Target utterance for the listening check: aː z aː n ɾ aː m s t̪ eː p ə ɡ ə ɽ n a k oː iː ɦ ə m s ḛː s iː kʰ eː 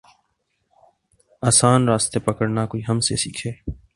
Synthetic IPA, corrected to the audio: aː s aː n ɾ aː s t̪ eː p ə k ə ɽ n a k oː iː ɦ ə m s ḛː s iː kʰ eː